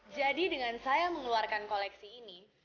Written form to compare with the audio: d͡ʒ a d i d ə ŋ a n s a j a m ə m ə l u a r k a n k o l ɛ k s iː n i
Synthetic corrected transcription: d͡ʒ a d i d ə ŋ a n s a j a m ə ŋ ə l u a r k a n k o l ɛ k s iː n i